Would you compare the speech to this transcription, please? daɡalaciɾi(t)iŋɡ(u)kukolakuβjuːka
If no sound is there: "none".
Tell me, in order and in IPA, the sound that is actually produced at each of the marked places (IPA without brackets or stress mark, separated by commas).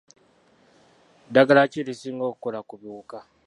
s, o